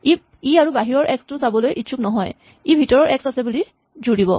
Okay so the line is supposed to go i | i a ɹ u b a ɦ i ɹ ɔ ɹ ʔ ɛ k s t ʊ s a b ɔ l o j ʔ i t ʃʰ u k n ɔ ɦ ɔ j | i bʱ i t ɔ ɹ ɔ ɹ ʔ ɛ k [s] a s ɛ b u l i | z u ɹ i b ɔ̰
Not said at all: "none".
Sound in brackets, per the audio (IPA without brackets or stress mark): s